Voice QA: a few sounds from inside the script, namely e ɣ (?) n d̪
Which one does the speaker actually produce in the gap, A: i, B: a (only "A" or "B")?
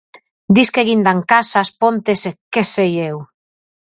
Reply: A